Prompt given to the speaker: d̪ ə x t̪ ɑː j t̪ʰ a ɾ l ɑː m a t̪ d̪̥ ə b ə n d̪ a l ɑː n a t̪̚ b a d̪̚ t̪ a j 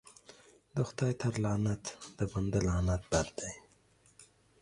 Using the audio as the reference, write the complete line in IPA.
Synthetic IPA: d̪ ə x t̪ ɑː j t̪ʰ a ɾ l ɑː n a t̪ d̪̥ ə b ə n d̪ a l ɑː n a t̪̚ b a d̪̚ d̪ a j